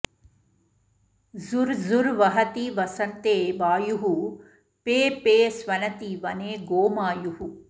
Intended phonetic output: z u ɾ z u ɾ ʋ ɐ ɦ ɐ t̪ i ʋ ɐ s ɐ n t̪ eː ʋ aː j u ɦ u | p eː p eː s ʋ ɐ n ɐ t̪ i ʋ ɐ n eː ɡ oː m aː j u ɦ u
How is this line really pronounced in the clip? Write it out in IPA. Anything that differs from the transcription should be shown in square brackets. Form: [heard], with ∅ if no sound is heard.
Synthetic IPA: z u ɾ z u ɾ ʋ ɐ ɦ ɐ t̪ i ʋ ɐ s ɐ n t̪ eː ʋ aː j u ɦ u | p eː p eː s ʋ ɐ n ɐ t̪ i ʋ ɐ n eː ɡ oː m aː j u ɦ u